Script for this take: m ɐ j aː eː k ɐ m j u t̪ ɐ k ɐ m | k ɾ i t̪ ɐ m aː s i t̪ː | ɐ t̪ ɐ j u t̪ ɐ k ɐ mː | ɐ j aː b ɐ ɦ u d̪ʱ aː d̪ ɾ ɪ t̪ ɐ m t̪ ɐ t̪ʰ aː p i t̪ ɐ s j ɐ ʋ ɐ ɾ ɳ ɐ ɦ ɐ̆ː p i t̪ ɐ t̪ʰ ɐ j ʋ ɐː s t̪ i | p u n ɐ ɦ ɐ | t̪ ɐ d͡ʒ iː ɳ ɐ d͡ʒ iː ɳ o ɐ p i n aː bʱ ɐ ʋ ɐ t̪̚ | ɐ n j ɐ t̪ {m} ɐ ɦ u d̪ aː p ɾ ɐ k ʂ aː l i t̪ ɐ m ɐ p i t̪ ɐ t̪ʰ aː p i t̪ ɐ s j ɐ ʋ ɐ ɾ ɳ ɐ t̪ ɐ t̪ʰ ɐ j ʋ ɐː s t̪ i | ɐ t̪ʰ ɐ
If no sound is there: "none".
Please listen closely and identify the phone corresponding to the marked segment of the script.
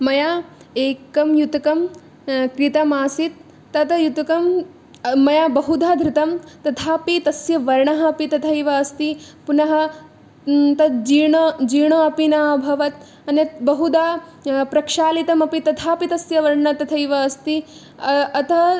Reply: b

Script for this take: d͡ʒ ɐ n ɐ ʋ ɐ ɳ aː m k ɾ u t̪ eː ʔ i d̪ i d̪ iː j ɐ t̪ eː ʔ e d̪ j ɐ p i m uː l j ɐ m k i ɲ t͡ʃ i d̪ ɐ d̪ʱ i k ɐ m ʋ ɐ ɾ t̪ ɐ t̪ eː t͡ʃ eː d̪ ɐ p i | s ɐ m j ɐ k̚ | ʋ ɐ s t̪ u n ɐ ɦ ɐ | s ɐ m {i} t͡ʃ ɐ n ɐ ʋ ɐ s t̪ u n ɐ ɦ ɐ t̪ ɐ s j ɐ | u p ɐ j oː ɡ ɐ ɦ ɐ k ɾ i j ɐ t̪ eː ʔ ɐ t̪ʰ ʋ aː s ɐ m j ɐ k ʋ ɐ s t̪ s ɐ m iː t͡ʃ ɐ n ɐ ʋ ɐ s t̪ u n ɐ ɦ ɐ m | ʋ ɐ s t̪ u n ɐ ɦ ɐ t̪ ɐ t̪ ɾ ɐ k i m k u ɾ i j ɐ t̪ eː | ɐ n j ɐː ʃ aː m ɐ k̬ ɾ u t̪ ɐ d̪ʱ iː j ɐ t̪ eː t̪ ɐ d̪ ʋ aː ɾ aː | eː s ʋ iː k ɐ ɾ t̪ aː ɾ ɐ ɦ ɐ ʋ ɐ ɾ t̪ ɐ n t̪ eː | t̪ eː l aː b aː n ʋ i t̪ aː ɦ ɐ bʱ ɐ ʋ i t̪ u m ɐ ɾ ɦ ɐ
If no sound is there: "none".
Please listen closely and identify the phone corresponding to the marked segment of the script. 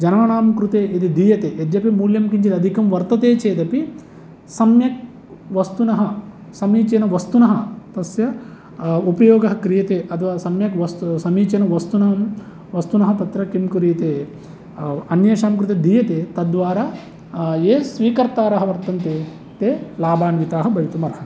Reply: iː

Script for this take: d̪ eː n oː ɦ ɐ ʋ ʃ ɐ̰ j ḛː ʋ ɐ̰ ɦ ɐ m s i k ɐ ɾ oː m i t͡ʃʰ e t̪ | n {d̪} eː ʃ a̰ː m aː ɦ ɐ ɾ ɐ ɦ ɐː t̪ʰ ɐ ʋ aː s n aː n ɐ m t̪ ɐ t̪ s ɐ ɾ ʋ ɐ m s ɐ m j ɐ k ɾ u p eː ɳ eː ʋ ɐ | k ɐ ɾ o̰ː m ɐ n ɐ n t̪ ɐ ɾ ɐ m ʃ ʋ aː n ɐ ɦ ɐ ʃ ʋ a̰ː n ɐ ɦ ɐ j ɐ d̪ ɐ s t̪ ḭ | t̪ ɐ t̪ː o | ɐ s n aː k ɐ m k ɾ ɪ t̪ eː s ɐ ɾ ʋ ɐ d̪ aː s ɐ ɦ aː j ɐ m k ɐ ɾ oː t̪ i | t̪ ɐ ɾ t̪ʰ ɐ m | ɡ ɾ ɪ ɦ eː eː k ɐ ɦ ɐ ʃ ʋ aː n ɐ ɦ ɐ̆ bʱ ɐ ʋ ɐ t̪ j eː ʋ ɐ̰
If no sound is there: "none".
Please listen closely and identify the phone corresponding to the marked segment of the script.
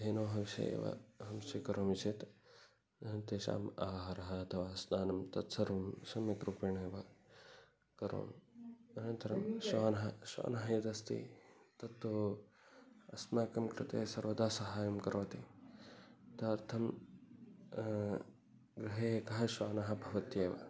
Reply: t̪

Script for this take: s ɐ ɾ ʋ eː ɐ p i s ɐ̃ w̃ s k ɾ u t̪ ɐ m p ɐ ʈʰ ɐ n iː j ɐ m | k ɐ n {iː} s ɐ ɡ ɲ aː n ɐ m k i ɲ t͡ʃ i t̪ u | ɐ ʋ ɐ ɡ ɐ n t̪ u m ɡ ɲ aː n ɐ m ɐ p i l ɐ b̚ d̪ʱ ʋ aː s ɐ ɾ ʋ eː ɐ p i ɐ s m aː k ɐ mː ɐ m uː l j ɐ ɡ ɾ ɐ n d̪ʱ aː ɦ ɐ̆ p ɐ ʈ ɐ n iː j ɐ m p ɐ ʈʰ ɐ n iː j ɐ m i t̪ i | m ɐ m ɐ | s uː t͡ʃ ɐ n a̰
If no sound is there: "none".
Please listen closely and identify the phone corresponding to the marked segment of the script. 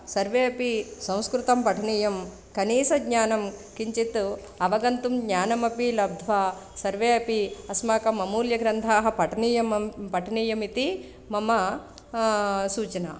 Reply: iː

